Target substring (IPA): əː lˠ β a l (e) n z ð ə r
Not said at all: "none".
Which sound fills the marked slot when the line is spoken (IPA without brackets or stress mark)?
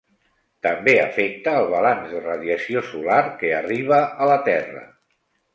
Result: a